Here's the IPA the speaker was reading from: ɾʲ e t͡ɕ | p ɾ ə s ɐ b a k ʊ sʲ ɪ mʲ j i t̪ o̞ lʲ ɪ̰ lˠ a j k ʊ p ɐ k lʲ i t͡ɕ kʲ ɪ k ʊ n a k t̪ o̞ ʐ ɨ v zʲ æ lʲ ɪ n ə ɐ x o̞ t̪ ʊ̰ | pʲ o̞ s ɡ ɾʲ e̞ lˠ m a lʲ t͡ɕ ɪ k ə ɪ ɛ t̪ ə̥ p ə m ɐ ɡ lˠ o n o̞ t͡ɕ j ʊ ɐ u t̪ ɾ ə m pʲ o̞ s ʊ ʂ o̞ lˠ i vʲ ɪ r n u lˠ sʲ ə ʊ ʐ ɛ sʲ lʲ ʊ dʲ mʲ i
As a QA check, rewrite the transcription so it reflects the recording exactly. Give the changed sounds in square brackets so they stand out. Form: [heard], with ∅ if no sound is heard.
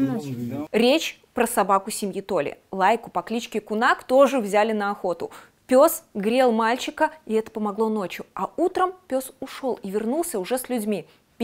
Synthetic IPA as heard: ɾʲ e t͡ɕ | p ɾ ə s ɐ b a k ʊ sʲ ɪ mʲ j i t̪ o̞ lʲ ɪ̰ lˠ a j k ʊ p ɐ k lʲ i t͡ɕ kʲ ɪ k ʊ n a k t̪ o̞ ʐ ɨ v zʲ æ lʲ ɪ n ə ɐ x o̞ t̪ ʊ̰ | pʲ o̞ s ɡ ɾʲ e̞ lˠ m a lʲ t͡ɕ ɪ k ə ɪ ɛ t̪ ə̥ p ə m ɐ ɡ lˠ o n o̞ t͡ɕ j ʊ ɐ u t̪ ɾ ə m pʲ o̞ s ʊ ʂ o̞ lˠ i vʲ ɪ r n u lˠ sʲ ə ʊ ʐ ɛ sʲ lʲ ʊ dʲ mʲ i